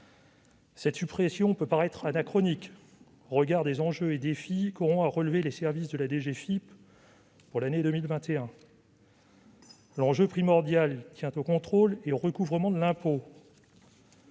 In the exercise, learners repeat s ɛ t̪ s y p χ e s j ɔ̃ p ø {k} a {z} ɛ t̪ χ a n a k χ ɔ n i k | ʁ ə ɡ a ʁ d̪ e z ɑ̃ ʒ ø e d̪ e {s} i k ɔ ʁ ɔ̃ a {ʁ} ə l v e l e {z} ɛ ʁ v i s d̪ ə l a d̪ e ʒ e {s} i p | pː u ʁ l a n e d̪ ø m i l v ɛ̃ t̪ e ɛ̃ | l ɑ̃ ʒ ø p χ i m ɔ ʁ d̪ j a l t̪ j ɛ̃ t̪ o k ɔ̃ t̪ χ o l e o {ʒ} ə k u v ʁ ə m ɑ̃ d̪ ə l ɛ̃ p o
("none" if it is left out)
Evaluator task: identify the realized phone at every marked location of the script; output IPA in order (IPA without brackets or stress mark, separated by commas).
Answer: p, ʁ, f, ʁ, s, f, ʁ